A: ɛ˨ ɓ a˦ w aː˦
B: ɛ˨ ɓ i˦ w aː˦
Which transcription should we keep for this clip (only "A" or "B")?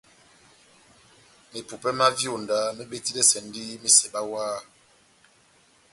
A